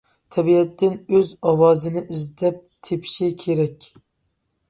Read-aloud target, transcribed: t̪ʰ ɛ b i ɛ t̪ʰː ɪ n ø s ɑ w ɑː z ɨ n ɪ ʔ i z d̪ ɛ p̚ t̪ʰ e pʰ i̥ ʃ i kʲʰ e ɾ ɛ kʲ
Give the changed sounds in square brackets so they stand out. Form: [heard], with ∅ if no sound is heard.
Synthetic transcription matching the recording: t̪ʰ ɛ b i ɛ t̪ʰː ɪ n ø [z] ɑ w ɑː z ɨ n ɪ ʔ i z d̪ ɛ p̚ t̪ʰ e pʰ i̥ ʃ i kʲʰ e ɾ ɛ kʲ